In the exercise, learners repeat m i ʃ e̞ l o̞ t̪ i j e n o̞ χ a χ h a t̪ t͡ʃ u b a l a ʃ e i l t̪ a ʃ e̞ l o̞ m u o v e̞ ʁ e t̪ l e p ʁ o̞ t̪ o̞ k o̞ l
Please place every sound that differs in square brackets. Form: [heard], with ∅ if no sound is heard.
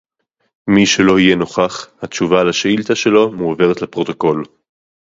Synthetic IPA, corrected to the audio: m i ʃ e̞ l o̞ [∅] i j e n o̞ χ a χ h a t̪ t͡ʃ u [v] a l a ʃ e i l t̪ a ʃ e̞ l o̞ m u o v e̞ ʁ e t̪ l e p ʁ o̞ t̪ o̞ k o̞ l